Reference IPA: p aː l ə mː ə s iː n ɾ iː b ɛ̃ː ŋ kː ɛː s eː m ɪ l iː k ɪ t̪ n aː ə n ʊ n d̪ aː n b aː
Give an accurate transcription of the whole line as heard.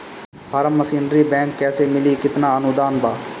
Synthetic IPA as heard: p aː ɾ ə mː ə s iː n ɾ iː b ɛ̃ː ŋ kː ɛː s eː m ɪ l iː k ɪ t̪ n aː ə n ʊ d̪ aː n b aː